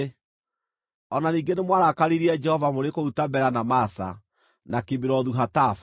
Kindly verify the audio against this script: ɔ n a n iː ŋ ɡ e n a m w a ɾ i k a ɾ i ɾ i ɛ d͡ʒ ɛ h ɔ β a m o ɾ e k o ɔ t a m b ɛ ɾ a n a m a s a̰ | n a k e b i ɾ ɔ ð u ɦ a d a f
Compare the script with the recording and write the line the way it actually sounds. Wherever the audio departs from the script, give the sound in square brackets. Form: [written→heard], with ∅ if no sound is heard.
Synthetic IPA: ɔ n a n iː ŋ ɡ e n [a→e] m w a ɾ [i→a] k a ɾ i ɾ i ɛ d͡ʒ ɛ h ɔ [β→v] a m o ɾ e k o [ɔ→u] t a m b ɛ ɾ a n a m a s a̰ | n a k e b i ɾ ɔ ð u ɦ a [d→t] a f